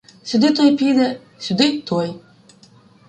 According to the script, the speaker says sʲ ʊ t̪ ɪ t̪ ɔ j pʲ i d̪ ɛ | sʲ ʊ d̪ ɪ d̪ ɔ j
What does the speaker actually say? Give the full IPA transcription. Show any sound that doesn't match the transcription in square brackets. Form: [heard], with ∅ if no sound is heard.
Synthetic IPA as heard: sʲ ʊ [d̪] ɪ t̪ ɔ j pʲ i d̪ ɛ | sʲ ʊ d̪ ɪ [t̪] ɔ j

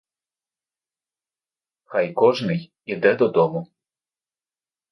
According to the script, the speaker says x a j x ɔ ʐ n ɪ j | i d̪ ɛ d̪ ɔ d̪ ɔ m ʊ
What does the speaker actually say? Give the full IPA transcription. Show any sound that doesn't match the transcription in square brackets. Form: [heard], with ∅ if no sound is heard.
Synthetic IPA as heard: x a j [k] ɔ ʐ n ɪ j | i d̪ ɛ d̪ ɔ d̪ ɔ m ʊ

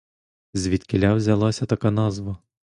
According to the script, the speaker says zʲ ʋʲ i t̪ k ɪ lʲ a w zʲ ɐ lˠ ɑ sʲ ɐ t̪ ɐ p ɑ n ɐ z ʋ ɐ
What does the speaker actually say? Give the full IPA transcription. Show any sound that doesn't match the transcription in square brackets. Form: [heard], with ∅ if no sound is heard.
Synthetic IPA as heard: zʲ ʋʲ i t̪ k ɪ lʲ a w zʲ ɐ lˠ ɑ sʲ ɐ t̪ ɐ [k] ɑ n [ɑ] z ʋ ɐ

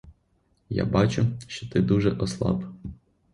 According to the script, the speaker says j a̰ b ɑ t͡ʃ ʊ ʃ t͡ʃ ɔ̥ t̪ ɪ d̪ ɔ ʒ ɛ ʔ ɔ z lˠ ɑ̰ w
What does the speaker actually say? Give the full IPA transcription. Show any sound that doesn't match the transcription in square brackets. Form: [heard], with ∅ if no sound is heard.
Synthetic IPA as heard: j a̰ b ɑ t͡ʃ ʊ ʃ t͡ʃ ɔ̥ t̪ ɪ d̪ [u] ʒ ɛ ʔ ɔ [s] lˠ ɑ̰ [b]

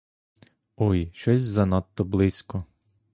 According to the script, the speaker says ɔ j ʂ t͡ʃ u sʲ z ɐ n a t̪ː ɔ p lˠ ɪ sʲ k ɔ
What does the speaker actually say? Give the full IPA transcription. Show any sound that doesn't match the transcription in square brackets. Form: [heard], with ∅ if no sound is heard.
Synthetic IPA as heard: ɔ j [ʃ] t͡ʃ [ɔ] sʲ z ɐ n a t̪ː ɔ [b] lˠ ɪ sʲ k ɔ

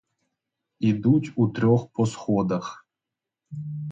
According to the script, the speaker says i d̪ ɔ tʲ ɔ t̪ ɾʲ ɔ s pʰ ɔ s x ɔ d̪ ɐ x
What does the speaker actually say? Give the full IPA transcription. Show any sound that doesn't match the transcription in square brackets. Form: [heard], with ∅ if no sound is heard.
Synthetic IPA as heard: i d̪ [u] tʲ [u] t̪ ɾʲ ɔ [x] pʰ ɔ s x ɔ d̪ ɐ x

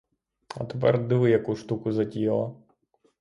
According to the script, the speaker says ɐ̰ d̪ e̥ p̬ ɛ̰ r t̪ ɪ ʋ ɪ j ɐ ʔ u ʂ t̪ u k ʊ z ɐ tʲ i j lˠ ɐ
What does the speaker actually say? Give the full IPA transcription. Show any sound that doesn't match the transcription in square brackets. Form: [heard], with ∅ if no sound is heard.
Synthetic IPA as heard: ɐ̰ [t̪] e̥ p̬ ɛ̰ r [d̪] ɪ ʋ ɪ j ɐ [k] u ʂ t̪ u k ʊ z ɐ tʲ i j lˠ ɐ

